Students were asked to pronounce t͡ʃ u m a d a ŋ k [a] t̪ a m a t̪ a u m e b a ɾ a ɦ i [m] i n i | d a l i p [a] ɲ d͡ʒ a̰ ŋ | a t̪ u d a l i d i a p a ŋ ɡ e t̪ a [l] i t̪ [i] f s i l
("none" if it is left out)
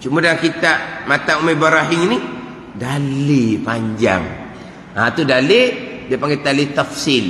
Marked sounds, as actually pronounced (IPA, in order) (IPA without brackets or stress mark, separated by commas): i, ŋ, a, l, a